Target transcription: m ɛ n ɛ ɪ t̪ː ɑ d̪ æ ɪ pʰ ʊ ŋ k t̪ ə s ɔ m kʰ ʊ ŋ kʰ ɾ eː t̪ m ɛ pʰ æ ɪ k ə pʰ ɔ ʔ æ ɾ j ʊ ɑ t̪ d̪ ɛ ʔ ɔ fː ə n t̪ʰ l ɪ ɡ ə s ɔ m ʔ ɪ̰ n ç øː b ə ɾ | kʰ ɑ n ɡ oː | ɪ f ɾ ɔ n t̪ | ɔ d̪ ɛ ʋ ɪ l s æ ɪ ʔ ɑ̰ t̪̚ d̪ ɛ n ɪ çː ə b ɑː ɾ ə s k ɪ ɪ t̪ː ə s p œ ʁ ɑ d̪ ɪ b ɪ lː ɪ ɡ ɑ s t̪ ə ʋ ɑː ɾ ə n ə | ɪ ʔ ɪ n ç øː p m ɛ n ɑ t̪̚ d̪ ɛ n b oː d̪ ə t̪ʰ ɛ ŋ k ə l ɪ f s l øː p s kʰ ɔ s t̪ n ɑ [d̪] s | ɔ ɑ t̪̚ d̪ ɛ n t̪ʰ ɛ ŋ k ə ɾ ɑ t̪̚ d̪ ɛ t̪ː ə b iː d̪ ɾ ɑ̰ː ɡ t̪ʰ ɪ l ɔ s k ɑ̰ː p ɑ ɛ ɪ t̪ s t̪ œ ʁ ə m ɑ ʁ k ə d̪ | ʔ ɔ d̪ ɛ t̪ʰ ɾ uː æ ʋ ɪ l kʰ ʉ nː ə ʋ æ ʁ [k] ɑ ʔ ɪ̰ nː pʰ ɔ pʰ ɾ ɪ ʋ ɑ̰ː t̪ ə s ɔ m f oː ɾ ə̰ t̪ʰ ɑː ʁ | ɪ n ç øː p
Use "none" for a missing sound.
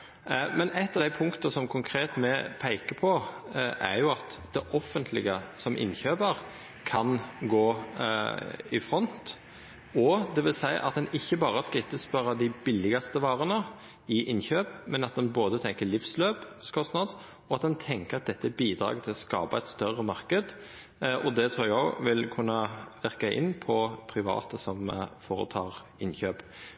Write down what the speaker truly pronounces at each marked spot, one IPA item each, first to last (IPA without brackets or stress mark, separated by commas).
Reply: d̪, k